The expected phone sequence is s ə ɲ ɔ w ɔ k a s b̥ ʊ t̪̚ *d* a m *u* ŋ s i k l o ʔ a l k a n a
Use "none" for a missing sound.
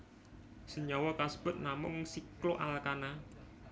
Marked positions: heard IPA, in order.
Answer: n, ʊ

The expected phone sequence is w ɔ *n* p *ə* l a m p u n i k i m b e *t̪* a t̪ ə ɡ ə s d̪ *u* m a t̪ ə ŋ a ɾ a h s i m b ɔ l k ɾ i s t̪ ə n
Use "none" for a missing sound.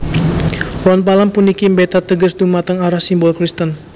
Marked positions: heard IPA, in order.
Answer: n, a, t̪, u

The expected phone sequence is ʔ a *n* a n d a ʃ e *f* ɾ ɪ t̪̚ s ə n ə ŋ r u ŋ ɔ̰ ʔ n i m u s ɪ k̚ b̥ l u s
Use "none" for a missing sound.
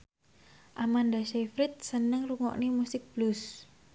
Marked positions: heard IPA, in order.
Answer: m, f

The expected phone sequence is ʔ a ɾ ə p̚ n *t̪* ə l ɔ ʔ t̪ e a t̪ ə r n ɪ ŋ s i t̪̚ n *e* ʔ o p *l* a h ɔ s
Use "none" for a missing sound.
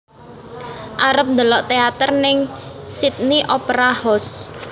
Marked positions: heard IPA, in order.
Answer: d̪, i, ɾ

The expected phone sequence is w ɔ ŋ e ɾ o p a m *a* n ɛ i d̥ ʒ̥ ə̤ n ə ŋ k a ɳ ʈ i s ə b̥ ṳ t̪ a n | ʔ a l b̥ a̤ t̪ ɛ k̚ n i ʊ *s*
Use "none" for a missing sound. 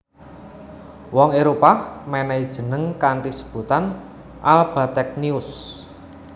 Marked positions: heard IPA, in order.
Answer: ɛ, s

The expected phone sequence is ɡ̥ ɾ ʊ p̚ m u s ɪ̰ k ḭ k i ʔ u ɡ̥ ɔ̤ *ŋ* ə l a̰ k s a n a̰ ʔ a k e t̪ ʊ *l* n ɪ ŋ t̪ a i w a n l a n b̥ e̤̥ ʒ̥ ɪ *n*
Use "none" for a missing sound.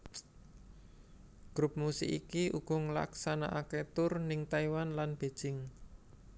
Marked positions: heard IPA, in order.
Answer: ŋ, r, ŋ

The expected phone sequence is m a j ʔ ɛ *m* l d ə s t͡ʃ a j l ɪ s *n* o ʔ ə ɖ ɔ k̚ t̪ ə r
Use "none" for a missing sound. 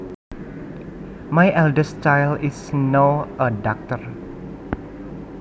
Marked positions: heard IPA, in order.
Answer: none, n

